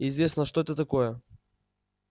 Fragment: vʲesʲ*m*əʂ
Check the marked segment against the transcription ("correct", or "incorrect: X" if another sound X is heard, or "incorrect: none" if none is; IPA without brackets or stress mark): incorrect: n